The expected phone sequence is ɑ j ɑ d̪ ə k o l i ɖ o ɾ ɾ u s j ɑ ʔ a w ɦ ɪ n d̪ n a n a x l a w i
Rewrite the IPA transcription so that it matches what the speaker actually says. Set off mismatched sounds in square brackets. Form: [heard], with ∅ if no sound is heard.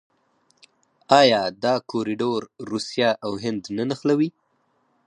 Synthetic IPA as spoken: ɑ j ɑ d̪ [ɑ] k o [ɾ] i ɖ o ɾ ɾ u s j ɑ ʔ a w ɦ ɪ n d̪ n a n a x l a w i